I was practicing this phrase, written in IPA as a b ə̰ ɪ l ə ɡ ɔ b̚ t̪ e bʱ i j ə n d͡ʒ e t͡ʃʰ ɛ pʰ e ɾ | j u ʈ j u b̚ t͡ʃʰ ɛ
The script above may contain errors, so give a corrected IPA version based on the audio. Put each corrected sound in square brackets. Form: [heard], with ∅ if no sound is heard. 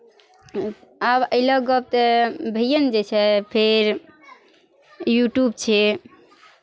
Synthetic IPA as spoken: a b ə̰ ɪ l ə ɡ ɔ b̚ t̪ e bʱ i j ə n d͡ʒ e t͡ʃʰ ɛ pʰ e ɾ | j u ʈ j u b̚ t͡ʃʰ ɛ